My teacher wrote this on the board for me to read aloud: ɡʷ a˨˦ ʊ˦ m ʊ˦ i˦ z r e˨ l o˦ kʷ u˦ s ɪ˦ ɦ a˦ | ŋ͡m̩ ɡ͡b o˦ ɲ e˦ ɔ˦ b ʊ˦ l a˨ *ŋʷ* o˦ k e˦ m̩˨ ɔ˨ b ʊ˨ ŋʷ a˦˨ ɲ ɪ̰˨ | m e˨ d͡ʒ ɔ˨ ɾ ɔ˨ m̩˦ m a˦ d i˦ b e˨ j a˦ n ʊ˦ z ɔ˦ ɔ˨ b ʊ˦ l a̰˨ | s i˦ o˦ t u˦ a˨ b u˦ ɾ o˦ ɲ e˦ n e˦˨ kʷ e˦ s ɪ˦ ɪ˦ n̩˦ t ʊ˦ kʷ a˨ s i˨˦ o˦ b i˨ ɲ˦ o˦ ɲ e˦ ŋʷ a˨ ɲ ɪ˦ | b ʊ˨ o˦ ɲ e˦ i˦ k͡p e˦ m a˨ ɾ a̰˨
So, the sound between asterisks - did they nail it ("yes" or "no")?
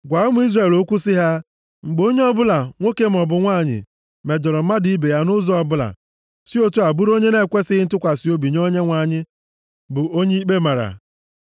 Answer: yes